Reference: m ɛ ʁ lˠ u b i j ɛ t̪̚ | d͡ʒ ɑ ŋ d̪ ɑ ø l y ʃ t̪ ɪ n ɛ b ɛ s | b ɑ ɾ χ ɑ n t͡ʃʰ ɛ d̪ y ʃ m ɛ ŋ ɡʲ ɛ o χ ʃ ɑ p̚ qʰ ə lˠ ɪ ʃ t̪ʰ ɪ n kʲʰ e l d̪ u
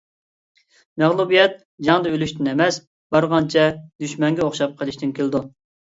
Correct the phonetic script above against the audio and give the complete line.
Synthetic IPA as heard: m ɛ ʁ lˠ u b i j ɛ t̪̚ | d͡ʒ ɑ ŋ d̪ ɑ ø l y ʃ t̪ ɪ n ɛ m ɛ s | b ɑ ɾ ʁ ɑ n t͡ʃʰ ɛ d̪ y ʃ m ɛ ŋ ɡʲ ɛ o χ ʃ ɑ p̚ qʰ ə lˠ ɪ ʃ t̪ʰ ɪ n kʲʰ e l d̪ u